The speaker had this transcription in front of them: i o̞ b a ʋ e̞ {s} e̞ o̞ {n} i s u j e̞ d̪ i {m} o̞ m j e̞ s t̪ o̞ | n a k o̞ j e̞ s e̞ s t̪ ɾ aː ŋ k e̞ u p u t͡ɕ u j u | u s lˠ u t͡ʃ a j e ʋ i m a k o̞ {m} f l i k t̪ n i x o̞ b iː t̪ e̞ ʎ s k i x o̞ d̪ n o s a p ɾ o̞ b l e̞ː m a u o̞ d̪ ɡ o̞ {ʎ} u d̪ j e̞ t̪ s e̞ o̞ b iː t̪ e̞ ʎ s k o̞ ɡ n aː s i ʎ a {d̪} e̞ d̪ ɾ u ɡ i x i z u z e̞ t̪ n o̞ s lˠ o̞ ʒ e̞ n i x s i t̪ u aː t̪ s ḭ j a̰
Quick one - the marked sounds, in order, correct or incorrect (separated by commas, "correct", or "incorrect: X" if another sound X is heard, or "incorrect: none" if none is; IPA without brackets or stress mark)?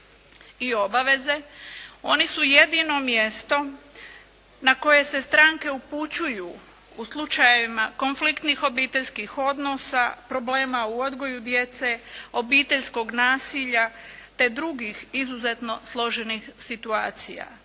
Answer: incorrect: z, correct, incorrect: n, incorrect: n, incorrect: j, incorrect: t̪